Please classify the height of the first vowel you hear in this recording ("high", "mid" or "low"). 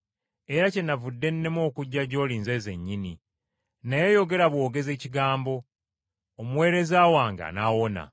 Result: mid